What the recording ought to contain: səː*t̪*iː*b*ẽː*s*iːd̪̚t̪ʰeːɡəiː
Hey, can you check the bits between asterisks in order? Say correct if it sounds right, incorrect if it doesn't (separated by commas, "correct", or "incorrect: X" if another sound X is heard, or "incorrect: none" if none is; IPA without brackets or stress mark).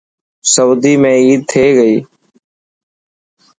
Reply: incorrect: d̪, incorrect: m, incorrect: none